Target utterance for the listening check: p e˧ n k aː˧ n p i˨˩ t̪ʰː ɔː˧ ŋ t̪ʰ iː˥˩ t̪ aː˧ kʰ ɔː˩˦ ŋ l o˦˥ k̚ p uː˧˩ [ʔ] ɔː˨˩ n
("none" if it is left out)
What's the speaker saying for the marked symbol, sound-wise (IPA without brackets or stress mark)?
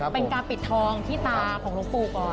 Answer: k